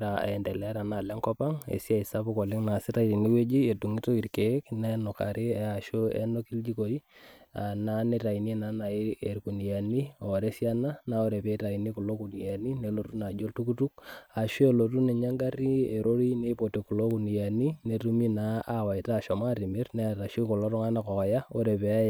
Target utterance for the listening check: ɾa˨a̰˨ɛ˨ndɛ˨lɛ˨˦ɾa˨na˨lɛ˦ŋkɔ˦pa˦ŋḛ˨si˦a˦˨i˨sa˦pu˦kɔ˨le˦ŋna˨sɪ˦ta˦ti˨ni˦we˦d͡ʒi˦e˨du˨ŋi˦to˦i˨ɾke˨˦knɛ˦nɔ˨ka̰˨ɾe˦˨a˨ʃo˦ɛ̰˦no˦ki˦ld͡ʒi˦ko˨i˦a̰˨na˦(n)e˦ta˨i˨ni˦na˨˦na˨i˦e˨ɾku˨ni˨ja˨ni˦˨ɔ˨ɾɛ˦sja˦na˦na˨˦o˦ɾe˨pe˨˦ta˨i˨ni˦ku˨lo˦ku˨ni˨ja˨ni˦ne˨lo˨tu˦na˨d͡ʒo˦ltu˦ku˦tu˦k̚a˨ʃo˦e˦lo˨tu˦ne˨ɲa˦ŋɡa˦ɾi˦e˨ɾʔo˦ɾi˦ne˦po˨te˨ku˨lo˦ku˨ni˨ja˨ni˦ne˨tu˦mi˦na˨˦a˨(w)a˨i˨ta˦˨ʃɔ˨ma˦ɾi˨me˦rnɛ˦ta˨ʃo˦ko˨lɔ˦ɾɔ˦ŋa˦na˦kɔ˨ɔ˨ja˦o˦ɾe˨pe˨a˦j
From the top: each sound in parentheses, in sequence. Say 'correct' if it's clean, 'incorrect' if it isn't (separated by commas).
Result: correct, correct